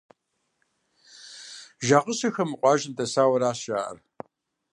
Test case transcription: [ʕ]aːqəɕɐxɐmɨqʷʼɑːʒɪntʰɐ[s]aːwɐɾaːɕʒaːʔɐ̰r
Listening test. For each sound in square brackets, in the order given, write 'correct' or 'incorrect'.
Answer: incorrect, correct

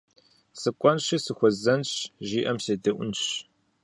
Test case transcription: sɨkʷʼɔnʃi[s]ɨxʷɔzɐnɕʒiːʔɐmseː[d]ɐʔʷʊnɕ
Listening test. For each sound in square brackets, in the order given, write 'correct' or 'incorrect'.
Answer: correct, correct

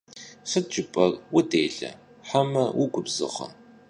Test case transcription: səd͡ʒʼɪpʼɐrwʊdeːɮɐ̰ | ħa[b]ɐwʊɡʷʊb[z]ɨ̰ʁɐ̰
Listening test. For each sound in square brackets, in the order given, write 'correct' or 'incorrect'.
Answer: incorrect, correct

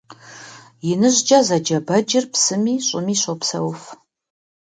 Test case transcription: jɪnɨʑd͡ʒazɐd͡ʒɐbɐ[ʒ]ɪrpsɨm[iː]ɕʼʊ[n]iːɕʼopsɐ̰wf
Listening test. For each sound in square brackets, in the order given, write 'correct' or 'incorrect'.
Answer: incorrect, correct, incorrect

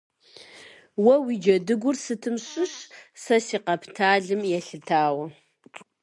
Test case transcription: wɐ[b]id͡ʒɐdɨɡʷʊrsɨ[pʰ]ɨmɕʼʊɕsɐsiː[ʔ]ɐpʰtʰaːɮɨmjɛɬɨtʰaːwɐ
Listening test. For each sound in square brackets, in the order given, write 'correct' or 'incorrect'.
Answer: incorrect, incorrect, incorrect

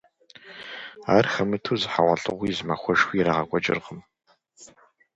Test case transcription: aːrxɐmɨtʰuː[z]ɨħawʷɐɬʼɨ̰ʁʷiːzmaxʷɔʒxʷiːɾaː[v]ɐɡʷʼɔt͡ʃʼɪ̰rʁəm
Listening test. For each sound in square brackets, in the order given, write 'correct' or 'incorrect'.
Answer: correct, incorrect

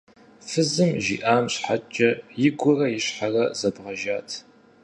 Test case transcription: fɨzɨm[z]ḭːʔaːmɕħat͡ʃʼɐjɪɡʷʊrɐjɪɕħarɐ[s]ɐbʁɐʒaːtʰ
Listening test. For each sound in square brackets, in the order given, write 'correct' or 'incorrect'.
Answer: incorrect, incorrect

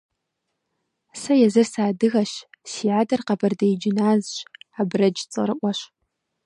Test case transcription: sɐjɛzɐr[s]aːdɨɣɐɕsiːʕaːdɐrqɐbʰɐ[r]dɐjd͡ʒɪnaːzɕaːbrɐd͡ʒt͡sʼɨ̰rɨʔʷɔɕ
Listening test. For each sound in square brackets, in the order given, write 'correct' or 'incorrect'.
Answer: correct, correct

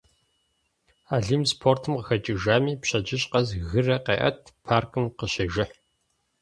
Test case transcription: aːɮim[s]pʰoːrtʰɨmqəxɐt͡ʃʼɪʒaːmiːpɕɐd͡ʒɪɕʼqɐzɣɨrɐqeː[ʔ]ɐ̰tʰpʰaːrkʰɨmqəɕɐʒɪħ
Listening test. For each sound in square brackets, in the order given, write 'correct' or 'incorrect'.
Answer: correct, correct

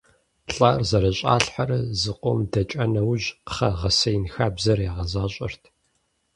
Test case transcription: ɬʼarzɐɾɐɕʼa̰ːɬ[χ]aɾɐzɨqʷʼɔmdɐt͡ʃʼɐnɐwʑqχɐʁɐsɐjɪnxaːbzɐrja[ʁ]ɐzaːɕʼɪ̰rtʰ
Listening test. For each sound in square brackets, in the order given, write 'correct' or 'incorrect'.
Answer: incorrect, correct

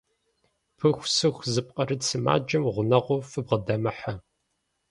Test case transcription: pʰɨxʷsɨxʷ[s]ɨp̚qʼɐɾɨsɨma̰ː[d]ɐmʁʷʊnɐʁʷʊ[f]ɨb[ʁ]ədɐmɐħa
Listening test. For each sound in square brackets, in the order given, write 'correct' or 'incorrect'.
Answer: incorrect, incorrect, correct, correct

